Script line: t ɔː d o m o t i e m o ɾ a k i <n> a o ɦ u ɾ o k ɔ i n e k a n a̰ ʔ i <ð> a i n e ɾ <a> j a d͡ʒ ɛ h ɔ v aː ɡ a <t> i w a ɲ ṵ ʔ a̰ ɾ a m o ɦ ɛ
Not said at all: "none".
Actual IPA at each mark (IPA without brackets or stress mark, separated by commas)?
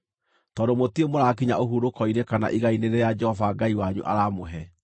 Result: ɲ, ɣ, e, none